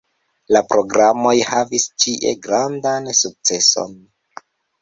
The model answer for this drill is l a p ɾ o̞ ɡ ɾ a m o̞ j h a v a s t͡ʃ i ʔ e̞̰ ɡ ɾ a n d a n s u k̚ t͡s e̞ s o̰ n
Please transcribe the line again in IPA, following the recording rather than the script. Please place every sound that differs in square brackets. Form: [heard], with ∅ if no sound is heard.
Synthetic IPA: l a p ɾ o̞ ɡ ɾ a m o̞ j h a v [i] s t͡ʃ i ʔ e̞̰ ɡ ɾ a n d a n s u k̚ t͡s e̞ s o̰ n